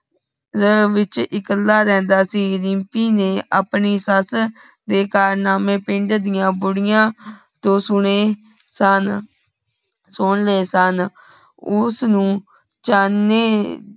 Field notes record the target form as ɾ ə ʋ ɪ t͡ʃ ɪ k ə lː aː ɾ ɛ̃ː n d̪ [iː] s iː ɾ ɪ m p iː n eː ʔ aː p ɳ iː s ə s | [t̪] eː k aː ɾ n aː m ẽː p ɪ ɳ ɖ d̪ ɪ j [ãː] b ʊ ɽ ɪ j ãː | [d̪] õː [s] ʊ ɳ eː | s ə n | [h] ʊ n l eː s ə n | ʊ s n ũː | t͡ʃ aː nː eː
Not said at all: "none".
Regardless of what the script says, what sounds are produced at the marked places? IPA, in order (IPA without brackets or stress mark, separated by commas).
aː, d̪, ãː, t̪, s, s